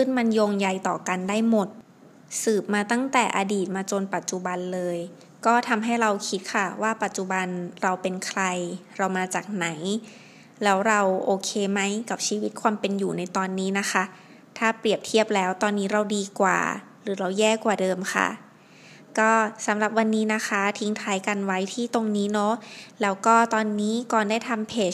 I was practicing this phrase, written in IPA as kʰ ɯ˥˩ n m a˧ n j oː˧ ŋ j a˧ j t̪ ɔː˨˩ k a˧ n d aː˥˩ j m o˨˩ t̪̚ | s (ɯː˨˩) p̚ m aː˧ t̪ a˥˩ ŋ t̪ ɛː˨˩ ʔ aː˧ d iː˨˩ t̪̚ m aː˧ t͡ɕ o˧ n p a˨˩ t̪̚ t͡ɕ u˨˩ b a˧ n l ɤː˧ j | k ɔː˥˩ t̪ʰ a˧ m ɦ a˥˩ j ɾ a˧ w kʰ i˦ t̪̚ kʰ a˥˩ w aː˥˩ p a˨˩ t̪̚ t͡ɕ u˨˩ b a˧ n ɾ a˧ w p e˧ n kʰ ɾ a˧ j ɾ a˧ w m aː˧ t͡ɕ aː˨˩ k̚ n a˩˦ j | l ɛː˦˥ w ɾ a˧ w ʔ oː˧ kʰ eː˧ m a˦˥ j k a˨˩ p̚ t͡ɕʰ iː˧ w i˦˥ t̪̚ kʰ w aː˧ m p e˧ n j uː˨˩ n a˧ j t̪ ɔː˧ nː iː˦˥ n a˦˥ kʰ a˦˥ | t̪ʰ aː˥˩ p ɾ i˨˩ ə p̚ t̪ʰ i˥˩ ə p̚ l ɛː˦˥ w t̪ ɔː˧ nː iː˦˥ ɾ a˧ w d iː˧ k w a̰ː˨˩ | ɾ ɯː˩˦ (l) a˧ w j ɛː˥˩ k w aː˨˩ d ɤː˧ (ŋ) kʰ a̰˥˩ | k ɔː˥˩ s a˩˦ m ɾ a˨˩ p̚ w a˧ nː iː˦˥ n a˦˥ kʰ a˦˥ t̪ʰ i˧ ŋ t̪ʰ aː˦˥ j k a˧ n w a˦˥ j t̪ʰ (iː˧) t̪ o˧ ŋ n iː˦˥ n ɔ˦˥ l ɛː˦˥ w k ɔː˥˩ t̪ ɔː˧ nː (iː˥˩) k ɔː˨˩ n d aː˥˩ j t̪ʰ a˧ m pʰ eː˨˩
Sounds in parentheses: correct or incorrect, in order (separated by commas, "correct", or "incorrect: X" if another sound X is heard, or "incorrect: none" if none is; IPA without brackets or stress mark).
correct, incorrect: ɾ, incorrect: m, incorrect: iː˥˩, incorrect: iː˦˥